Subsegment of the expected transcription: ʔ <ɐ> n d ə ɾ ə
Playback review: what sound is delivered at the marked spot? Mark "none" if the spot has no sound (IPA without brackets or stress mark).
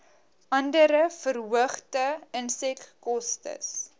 ɐ